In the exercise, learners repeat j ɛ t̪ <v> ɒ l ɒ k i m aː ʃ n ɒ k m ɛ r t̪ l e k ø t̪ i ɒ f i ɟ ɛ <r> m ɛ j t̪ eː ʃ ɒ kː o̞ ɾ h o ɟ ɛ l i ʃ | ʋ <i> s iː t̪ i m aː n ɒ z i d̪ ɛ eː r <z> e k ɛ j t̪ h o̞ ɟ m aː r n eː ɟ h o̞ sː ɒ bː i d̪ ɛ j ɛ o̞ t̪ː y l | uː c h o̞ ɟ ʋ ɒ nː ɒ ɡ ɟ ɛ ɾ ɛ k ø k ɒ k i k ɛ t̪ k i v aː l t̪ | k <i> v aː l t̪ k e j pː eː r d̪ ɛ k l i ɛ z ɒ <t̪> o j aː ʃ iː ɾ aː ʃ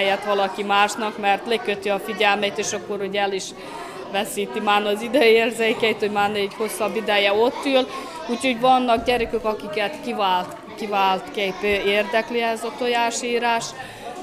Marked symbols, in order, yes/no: no, no, no, yes, yes, yes

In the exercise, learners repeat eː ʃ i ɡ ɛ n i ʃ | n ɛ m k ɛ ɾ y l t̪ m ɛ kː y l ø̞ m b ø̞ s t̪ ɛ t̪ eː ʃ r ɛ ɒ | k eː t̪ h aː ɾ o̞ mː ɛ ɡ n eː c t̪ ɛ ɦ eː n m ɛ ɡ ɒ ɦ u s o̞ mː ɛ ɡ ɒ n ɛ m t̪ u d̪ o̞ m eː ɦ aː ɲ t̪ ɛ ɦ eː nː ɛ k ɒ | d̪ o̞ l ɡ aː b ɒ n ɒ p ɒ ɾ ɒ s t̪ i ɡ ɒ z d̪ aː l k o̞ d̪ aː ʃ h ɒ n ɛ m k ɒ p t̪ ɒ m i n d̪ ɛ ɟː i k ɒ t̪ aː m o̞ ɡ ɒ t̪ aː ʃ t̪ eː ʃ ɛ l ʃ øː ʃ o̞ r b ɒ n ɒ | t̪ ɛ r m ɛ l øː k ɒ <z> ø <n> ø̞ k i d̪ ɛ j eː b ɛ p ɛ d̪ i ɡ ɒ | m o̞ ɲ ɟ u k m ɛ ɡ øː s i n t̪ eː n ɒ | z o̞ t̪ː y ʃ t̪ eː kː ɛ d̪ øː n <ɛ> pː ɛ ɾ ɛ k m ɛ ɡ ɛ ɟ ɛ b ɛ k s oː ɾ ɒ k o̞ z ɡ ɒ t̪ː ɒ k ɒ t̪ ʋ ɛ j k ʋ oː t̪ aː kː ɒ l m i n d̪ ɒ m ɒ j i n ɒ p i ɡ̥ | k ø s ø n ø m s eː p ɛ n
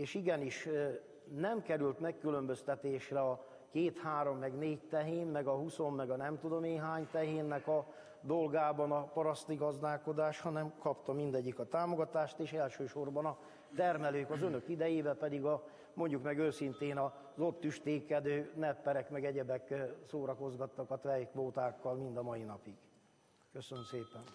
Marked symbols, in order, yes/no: yes, yes, yes

